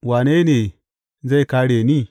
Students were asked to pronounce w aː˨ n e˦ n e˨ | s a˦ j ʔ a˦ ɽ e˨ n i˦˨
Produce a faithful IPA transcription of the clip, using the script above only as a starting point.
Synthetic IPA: w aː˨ n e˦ n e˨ | z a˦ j k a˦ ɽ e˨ n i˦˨